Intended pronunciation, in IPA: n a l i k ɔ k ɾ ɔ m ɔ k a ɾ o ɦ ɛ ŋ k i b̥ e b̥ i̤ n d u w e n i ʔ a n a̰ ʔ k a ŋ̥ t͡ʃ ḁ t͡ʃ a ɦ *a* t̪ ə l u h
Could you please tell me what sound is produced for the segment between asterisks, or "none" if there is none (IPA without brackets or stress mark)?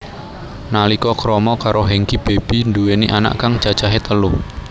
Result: e